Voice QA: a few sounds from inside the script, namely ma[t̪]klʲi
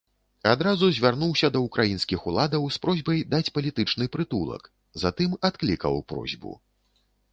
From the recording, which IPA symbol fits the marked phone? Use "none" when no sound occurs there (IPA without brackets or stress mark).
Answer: t̪